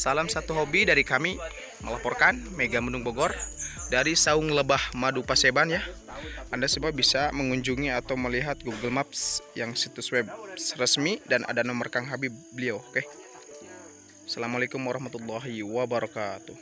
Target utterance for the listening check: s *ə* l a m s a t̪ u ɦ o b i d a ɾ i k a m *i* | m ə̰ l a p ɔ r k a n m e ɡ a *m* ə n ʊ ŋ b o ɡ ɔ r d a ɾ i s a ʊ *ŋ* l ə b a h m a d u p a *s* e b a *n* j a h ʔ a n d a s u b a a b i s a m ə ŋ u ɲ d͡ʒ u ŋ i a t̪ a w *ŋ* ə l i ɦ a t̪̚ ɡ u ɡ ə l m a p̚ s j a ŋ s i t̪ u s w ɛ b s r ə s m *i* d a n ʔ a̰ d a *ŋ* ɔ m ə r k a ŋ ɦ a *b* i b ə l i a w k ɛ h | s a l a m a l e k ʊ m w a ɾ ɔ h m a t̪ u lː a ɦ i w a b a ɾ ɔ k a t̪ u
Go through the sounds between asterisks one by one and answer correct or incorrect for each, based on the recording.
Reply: incorrect: a, correct, correct, correct, correct, correct, incorrect: m, correct, incorrect: n, correct

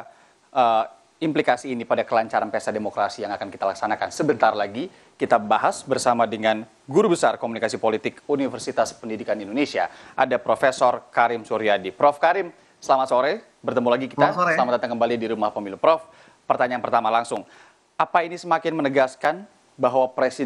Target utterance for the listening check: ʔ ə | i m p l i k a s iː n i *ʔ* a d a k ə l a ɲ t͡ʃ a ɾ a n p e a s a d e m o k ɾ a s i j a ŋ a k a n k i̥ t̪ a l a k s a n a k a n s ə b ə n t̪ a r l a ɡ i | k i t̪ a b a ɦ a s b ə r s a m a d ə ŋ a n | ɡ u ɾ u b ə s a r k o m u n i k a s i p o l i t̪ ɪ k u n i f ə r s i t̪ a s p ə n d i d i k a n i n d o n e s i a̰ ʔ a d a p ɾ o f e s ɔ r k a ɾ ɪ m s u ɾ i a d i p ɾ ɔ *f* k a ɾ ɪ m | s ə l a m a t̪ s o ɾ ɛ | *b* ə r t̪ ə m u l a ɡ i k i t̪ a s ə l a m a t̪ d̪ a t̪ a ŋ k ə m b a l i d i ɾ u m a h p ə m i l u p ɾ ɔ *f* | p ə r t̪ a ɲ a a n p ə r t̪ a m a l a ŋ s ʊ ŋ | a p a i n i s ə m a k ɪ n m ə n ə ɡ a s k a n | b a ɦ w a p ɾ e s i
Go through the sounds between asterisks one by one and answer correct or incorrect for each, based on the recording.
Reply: incorrect: p, correct, correct, correct

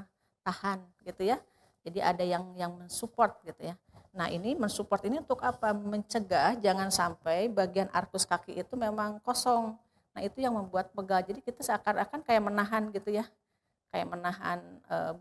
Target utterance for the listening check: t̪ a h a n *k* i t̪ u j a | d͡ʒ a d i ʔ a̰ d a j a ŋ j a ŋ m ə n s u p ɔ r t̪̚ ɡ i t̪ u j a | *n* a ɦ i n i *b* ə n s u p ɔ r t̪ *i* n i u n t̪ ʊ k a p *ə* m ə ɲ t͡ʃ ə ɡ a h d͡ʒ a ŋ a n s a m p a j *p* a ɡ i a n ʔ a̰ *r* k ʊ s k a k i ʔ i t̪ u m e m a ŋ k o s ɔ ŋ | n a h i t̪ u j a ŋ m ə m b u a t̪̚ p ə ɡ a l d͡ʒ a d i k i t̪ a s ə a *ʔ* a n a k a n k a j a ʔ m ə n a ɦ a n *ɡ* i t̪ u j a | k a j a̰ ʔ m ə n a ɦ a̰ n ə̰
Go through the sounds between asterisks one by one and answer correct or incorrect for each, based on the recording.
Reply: incorrect: ɡ, correct, incorrect: m, correct, incorrect: a, incorrect: b, correct, incorrect: k, correct

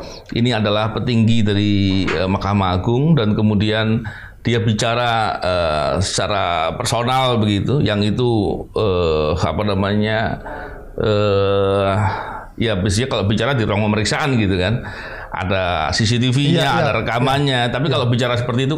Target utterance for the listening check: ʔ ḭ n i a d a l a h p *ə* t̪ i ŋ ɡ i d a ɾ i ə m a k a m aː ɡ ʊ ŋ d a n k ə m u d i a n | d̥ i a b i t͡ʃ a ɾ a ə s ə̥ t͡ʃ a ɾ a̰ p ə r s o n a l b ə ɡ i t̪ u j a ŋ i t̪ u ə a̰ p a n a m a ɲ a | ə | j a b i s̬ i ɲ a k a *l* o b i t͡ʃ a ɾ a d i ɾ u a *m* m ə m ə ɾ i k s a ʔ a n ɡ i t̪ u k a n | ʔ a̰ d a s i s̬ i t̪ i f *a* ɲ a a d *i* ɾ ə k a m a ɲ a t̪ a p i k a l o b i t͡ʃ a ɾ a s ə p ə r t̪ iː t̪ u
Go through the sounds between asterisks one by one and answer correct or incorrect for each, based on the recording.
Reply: correct, correct, incorrect: ŋ, incorrect: i, incorrect: a

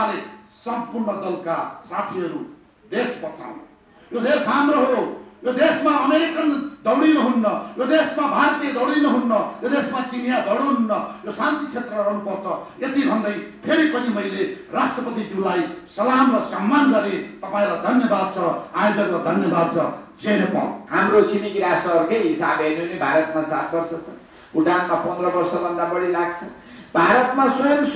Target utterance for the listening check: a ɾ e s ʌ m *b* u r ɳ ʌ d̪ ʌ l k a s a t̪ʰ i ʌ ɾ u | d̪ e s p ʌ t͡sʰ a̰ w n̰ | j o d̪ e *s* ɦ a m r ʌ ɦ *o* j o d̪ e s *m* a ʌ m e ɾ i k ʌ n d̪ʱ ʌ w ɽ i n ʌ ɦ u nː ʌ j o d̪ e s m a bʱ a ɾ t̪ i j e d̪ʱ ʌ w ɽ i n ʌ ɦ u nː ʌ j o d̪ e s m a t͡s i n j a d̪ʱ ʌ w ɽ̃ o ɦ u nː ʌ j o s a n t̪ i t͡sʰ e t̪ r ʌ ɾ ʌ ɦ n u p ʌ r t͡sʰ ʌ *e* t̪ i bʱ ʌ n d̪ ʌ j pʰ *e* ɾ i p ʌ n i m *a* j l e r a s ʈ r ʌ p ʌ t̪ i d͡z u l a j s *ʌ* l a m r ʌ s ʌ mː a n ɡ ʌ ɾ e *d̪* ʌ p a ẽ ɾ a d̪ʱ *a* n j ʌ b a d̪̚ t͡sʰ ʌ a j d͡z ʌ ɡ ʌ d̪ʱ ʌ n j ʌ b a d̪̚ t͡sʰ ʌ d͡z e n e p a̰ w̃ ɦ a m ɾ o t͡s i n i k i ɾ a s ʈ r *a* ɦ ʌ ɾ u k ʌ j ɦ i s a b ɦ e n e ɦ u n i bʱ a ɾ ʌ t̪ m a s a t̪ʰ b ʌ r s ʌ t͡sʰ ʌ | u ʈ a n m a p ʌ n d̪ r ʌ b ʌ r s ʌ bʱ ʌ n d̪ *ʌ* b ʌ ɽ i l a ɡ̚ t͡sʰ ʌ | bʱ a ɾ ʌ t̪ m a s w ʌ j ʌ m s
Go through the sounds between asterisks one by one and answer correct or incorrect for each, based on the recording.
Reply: incorrect: p, correct, correct, correct, correct, correct, incorrect: ʌ, correct, incorrect: t̪, incorrect: ʌ, incorrect: ʌ, incorrect: a

